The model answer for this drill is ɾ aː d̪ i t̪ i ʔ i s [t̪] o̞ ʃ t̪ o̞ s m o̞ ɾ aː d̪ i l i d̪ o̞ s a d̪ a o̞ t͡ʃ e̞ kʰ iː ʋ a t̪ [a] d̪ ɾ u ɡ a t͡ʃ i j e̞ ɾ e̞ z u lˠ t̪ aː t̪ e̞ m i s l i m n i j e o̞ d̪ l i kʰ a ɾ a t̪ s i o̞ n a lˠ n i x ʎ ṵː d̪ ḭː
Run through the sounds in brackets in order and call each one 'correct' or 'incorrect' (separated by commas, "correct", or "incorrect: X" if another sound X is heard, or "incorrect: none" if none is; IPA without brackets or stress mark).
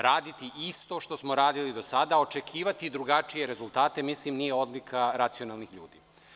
correct, incorrect: i